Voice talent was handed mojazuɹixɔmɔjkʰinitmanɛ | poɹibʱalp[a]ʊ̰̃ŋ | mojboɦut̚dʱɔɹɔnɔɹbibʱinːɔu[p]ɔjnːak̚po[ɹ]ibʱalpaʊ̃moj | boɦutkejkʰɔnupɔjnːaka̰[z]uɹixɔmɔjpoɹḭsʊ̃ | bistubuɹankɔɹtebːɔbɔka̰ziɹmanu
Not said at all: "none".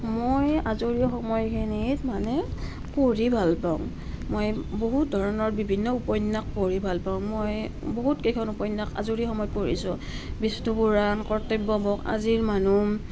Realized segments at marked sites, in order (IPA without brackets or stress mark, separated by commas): a, p, ɹ, z